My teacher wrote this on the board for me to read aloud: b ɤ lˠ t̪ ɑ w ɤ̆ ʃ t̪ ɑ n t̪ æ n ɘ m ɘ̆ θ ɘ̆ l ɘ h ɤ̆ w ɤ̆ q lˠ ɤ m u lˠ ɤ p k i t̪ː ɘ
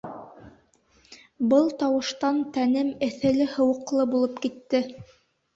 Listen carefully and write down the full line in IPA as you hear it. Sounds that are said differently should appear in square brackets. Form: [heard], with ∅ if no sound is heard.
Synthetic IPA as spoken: b ɤ lˠ t̪ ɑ w ɤ̆ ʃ t̪ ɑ n t̪ æ n ɘ m ɘ̆ θ ɘ̆ l ɘ h ɤ̆ w ɤ̆ q lˠ ɤ [b] u lˠ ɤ p k i t̪ː ɘ